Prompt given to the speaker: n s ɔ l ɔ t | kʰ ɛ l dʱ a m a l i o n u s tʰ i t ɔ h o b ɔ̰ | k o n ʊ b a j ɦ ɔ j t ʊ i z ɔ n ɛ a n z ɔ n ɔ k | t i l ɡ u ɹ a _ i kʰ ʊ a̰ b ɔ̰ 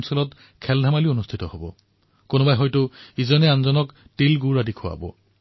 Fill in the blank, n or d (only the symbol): d